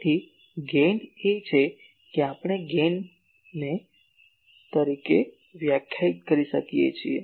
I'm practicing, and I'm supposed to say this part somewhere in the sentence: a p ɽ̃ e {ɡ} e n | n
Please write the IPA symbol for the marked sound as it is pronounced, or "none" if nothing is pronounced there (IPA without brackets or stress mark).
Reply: ɡ